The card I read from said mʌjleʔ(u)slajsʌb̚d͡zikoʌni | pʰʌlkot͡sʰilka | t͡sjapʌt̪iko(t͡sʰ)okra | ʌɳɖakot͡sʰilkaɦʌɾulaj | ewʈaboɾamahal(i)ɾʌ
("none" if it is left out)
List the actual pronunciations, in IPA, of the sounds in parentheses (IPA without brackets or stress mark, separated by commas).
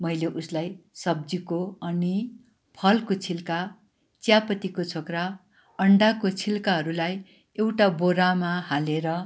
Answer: u, t͡sʰ, e